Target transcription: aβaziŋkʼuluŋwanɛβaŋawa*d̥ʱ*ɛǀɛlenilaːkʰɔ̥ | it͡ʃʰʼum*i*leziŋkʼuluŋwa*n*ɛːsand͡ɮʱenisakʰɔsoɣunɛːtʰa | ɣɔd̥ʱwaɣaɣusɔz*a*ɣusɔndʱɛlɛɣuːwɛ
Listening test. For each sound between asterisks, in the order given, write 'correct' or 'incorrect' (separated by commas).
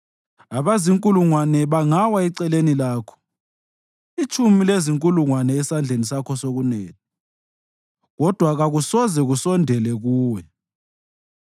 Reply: incorrect, correct, correct, incorrect